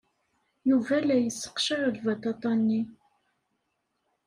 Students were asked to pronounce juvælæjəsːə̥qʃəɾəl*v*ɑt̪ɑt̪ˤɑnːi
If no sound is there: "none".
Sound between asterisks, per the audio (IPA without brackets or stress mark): v